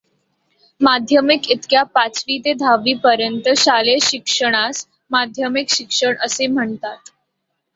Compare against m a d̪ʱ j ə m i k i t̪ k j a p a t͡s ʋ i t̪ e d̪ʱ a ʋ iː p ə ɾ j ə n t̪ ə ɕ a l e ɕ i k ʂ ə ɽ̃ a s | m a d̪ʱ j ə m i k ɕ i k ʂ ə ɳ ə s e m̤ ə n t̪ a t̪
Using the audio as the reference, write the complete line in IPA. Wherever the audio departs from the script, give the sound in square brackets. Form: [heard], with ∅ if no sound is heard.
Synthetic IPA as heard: m a d̪ʱ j ə m i k i t̪ k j a p a t͡s ʋ i t̪ e d̪ʱ a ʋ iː p ə ɾ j ə n t̪ ə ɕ a l e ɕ i k ʂ ə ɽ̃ a s | m a d̪ʱ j ə m i k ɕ i k ʂ ə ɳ ə s e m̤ ə [ɳ] t̪ a t̪

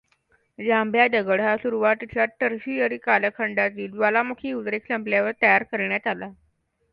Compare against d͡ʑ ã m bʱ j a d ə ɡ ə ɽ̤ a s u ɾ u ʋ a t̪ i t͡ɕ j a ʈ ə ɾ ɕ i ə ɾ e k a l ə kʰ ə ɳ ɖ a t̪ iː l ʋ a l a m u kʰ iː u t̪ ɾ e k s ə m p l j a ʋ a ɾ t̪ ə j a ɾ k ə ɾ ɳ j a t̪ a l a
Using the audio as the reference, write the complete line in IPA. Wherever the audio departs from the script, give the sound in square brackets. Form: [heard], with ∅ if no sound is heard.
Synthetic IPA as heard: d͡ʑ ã m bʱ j a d ə ɡ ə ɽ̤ a s u ɾ u ʋ a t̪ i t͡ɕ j a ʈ ə ɾ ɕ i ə ɾ [i] k a l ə kʰ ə ɳ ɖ a t̪ iː l ʋ a l a m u kʰ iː u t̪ ɾ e k s ə m p l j a ʋ [ə] ɾ t̪ ə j a ɾ k ə ɾ ɳ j a t̪ a l a

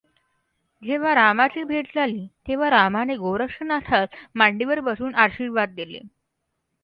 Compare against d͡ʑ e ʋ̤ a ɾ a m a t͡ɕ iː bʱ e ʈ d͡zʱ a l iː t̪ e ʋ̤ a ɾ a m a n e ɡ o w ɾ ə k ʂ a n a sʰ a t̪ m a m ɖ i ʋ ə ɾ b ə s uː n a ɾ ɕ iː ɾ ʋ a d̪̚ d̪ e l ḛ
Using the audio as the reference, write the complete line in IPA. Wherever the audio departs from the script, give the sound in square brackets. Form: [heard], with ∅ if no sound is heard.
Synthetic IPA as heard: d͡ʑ e ʋ̤ a ɾ a m a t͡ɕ iː bʱ e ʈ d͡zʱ a l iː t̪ e ʋ̤ a ɾ a m a n e ɡ o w ɾ ə k ʂ [ə] n a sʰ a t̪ m a [ɳ] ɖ i ʋ ə ɾ b ə s uː n a ɾ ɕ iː ɾ ʋ a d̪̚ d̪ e l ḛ

